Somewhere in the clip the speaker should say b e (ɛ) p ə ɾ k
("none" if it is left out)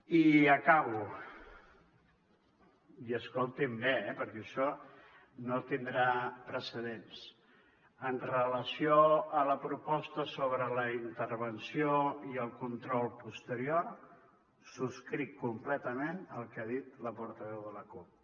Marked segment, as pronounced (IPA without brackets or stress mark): ɛ